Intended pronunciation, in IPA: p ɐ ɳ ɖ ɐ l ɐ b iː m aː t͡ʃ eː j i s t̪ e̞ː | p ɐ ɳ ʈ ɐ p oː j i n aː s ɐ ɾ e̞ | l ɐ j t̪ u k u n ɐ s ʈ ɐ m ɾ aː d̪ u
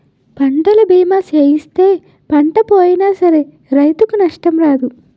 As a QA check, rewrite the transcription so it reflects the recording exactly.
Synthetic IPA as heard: p ɐ ɳ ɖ ɐ l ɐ b iː m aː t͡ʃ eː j i s t̪ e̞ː | p ɐ ɳ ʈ ɐ p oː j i n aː s ɐ ɾ e̞ | ɾ ɐ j t̪ u k u n ɐ ʂ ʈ ɐ m ɾ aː d̪ u